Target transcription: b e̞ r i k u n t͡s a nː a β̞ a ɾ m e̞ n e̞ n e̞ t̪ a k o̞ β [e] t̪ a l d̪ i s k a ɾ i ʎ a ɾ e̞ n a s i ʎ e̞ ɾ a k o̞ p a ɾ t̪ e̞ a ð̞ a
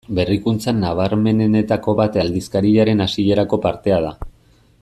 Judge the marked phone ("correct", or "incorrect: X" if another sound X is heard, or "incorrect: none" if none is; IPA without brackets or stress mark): incorrect: a